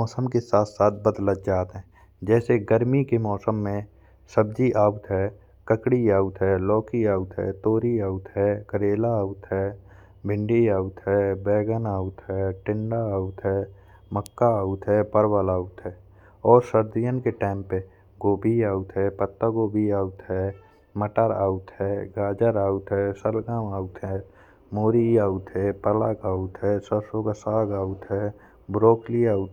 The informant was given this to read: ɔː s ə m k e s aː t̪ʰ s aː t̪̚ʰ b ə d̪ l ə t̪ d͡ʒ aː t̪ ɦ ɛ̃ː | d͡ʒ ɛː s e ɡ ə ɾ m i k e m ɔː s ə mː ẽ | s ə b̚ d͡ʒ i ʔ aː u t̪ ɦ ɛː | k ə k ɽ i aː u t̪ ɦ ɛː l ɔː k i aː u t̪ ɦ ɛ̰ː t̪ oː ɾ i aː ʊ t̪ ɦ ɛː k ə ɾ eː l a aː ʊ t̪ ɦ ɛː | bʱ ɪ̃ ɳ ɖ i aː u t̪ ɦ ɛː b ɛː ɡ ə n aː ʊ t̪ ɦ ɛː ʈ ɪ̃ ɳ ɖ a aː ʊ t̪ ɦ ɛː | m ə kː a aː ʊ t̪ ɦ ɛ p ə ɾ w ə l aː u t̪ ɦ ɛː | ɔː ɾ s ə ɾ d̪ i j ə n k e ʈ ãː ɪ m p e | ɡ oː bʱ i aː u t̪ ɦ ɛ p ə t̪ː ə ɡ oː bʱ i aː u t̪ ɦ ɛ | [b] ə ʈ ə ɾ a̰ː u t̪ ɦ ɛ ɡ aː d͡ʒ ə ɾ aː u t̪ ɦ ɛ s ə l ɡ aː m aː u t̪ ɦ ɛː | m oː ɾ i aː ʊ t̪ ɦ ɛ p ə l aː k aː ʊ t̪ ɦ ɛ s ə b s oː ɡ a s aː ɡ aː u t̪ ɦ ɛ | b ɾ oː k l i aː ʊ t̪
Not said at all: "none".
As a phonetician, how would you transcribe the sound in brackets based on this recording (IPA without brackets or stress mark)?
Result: m